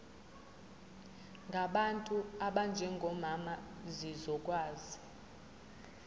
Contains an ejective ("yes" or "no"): yes